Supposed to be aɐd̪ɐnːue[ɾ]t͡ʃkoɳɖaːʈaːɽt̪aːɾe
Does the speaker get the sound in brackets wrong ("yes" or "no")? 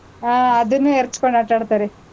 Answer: no